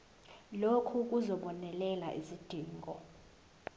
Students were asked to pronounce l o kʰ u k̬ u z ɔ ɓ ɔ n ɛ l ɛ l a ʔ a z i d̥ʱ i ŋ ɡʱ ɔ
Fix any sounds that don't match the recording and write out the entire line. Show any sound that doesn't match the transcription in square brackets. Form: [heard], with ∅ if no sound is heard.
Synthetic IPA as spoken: l o kʰ u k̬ u z ɔ ɓ ɔ n ɛ l ɛ l a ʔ [i] z i d̥ʱ [iː] ŋ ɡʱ ɔ